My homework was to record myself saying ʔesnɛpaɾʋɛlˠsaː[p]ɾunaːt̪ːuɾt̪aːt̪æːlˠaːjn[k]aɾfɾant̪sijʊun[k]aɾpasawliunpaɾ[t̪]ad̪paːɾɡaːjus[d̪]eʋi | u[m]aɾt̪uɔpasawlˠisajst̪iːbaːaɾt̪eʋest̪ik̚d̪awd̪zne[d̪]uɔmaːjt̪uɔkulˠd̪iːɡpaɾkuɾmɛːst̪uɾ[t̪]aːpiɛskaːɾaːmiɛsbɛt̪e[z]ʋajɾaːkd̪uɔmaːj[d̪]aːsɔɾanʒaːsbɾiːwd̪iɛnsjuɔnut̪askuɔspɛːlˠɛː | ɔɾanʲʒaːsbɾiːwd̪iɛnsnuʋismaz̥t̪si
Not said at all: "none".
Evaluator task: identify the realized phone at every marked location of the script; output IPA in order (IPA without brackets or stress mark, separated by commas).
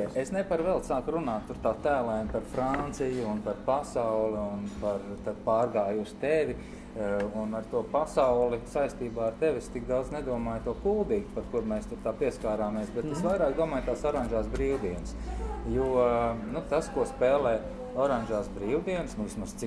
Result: k, p, p, t̪, t̪, n, d̪, t̪, s, t̪